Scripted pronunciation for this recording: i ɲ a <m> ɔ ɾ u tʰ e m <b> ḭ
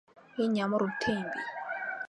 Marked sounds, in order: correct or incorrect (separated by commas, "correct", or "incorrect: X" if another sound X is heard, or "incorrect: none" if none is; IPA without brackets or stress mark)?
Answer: correct, correct